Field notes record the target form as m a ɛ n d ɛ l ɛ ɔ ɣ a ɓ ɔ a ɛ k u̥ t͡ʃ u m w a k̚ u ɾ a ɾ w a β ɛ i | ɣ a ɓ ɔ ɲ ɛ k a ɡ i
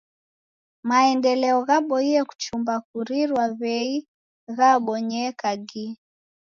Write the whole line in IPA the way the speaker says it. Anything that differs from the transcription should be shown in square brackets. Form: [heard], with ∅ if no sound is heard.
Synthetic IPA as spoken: m a ɛ n d ɛ l ɛ ɔ ɣ a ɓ ɔ [i] ɛ k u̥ t͡ʃ u m [b] a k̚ u ɾ [i] ɾ w a β ɛ i | ɣ a ɓ ɔ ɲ ɛ k a ɡ i

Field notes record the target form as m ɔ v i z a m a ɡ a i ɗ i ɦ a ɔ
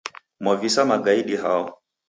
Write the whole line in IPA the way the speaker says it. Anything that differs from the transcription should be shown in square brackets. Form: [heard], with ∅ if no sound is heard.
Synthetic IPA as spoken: m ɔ v i [s] a m a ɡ a i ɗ i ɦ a ɔ

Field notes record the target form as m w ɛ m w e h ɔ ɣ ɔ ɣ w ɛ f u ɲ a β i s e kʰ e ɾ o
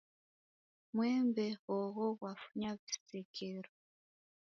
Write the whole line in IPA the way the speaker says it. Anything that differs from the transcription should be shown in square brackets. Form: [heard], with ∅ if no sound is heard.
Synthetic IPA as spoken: m w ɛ m [b] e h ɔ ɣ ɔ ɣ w [a] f u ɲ a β i s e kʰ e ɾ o

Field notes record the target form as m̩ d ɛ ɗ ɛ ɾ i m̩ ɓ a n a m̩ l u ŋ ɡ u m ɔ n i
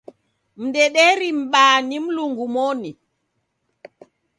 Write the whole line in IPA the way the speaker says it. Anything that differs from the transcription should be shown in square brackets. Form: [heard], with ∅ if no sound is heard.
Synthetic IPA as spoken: m̩ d ɛ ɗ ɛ ɾ i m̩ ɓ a n [i] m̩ l u ŋ ɡ u m ɔ n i

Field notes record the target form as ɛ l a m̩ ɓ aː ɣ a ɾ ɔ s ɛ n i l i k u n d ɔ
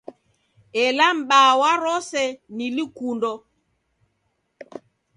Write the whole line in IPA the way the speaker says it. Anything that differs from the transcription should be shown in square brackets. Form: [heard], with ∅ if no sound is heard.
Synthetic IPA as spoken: ɛ l a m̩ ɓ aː [w] a ɾ ɔ s ɛ n i l i k u n d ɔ

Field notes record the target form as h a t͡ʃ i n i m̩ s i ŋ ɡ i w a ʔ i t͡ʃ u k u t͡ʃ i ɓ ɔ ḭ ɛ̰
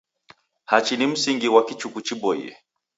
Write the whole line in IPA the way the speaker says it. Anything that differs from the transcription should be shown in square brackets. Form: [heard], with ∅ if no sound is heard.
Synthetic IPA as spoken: h a t͡ʃ i n i m̩ s i ŋ ɡ i w a [k] i t͡ʃ u k u t͡ʃ i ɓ ɔ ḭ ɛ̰

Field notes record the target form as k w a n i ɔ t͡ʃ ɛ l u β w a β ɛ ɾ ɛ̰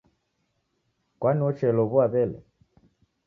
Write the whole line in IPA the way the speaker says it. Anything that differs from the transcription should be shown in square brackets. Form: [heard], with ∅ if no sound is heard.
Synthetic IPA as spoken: k w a n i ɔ t͡ʃ ɛ l [ɔ] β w a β ɛ [l] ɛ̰

